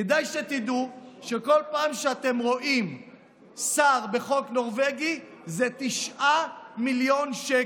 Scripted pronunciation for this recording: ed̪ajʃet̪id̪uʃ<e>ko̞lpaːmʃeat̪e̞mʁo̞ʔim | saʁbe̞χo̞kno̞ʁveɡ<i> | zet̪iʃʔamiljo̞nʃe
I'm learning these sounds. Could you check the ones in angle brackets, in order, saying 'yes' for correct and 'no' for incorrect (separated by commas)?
yes, yes